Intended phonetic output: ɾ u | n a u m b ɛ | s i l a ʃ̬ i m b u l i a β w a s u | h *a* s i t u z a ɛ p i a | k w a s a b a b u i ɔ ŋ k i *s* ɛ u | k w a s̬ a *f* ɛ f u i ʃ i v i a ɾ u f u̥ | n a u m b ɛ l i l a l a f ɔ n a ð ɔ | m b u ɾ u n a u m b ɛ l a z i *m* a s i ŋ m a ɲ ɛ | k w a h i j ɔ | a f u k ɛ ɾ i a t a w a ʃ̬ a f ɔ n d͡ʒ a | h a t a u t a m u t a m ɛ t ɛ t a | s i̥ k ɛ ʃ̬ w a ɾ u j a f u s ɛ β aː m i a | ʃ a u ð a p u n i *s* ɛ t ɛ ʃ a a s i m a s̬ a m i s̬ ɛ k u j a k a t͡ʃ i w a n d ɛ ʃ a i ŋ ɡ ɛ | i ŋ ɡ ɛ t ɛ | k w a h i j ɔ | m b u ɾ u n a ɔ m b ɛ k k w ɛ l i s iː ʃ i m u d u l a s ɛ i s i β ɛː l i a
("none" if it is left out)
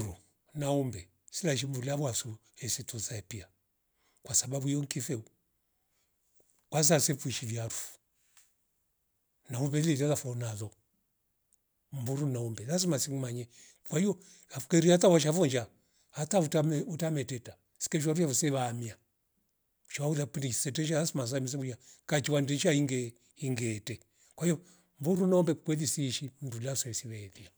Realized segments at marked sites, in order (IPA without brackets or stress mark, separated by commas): ɛ, f, s, m, s